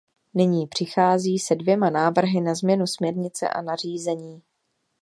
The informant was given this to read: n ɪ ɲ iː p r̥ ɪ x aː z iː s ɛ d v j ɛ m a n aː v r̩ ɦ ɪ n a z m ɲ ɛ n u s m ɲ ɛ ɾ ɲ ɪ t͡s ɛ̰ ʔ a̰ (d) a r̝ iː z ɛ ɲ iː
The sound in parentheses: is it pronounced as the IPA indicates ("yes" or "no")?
no